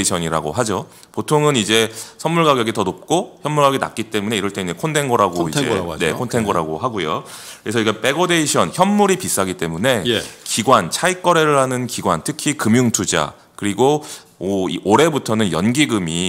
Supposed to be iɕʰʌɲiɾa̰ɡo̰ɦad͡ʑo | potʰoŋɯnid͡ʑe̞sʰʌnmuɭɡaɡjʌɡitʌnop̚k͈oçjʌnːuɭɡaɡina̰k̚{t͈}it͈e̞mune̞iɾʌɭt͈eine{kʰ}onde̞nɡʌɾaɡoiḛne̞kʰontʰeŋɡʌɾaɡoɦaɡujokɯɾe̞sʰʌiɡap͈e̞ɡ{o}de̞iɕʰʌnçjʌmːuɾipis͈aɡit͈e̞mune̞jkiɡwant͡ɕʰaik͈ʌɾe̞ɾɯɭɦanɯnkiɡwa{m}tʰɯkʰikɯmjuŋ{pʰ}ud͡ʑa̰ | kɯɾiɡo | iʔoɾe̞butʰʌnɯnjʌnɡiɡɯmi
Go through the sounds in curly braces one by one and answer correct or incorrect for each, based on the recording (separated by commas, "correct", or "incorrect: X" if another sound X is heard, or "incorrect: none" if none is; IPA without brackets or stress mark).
incorrect: k͈, correct, correct, incorrect: n, incorrect: tʰ